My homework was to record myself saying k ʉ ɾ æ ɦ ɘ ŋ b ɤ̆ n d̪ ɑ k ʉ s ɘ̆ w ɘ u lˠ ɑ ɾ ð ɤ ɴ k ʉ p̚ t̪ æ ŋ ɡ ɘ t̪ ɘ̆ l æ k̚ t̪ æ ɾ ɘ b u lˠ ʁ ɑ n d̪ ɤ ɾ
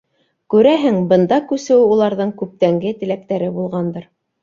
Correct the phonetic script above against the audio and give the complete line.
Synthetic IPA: k ʉ ɾ æ ɦ ɘ ŋ b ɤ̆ n d̪ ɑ k ʉ s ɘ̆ w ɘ u lˠ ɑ ɾ ð ɤ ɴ k ʉ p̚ t̪ æ ŋ ɡ ɘ t̪ ɘ̆ l æ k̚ t̪ æ ɾ ɘ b u lˠ ʁ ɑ n d̪ ɤ ɾ